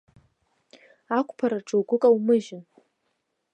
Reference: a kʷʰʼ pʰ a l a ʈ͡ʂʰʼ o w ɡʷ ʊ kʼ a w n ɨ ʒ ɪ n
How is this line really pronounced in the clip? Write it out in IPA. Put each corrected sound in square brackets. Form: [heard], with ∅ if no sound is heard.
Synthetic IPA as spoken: a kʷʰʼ pʰ a [ɾ] a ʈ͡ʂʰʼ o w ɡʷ ʊ kʼ a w [m] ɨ ʒ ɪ n